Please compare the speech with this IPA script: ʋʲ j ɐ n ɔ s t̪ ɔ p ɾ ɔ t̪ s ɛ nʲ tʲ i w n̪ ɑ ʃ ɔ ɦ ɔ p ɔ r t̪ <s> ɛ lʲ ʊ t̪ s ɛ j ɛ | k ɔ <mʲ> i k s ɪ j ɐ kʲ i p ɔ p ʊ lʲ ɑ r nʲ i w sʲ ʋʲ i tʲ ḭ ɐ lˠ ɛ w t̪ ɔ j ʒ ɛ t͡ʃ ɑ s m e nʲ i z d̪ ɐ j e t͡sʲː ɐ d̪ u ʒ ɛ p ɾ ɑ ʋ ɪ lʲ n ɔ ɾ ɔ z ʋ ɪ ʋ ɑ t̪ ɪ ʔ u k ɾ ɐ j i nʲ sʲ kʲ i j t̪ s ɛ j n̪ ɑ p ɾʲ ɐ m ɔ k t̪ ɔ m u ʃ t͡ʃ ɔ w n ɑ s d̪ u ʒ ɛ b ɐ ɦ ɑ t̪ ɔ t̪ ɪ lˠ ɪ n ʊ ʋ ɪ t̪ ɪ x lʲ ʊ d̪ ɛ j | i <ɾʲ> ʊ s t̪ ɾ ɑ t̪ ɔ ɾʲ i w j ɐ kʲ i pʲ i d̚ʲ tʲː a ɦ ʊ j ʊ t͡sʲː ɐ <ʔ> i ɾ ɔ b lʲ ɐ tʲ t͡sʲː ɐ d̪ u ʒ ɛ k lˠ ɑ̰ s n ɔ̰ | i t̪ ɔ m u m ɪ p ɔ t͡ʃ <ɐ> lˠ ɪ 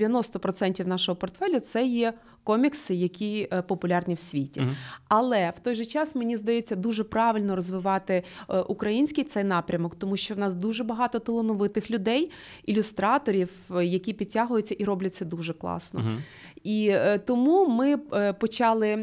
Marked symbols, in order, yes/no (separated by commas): no, yes, no, yes, no